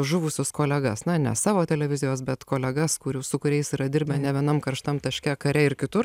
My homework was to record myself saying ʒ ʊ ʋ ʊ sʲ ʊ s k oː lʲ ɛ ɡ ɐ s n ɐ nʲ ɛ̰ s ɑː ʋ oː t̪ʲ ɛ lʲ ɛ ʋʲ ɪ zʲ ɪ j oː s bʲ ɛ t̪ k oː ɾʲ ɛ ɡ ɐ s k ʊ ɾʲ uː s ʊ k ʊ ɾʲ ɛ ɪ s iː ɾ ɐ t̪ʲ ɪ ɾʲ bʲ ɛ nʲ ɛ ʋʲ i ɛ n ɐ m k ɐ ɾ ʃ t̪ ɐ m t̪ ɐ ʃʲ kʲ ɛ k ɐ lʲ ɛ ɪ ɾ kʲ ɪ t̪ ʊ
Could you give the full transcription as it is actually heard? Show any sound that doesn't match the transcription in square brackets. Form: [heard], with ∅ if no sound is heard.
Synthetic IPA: ʒ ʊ ʋ ʊ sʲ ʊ s k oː lʲ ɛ ɡ ɐ s n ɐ nʲ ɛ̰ s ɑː ʋ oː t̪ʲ ɛ lʲ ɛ ʋʲ ɪ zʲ ɪ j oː s bʲ ɛ t̪ k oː [lʲ] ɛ ɡ ɐ s k ʊ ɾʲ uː s ʊ k ʊ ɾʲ ɛ ɪ s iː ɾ ɐ [d̪ʲ] ɪ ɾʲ bʲ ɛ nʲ ɛ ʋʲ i ɛ n ɐ m k ɐ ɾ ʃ t̪ ɐ m t̪ ɐ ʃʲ kʲ ɛ k ɐ [ɾʲ] ɛ ɪ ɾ kʲ ɪ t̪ ʊ

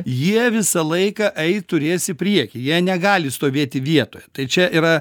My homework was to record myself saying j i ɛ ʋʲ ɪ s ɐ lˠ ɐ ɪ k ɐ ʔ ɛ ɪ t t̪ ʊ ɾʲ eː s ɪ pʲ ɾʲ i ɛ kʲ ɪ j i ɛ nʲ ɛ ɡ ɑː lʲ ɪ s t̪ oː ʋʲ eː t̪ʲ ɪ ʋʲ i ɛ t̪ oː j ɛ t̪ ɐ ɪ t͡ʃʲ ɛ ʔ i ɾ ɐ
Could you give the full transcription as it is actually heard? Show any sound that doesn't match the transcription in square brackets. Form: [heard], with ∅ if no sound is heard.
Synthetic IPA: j i ɛ ʋʲ ɪ s ɐ lˠ ɐ ɪ k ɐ ʔ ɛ ɪ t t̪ ʊ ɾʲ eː s ɪ pʲ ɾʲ i ɛ kʲ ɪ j i ɛ nʲ ɛ ɡ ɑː lʲ ɪ s t̪ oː ʋʲ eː t̪ʲ ɪ ʋʲ i ɛ t̪ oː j ɛ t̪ ɐ ɪ t͡ʃʲ ɛ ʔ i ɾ ɐ

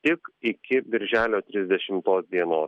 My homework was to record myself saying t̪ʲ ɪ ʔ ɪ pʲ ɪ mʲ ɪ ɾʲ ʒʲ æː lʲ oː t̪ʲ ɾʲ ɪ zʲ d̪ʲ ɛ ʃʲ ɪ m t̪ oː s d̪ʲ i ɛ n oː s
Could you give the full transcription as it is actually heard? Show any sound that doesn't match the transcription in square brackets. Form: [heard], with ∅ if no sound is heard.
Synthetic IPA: t̪ʲ ɪ [k] ɪ [kʲ] ɪ [bʲ] ɪ ɾʲ ʒʲ æː lʲ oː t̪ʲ ɾʲ ɪ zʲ d̪ʲ ɛ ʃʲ ɪ m t̪ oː s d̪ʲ i ɛ n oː s

